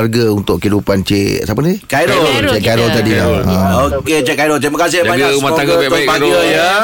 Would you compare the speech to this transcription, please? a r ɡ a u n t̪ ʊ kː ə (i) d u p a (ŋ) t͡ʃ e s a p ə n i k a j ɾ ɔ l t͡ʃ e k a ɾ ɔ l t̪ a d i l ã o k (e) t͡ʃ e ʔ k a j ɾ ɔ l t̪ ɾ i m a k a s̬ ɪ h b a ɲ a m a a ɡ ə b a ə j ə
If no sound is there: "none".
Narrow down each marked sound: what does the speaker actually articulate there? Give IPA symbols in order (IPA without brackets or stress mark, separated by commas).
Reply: i, n, e